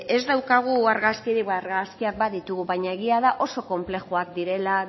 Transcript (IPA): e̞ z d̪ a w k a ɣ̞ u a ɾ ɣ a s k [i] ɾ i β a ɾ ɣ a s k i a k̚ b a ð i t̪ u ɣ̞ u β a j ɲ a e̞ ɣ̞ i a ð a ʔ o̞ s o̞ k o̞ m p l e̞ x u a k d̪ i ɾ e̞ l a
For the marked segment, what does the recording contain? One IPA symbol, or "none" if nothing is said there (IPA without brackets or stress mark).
i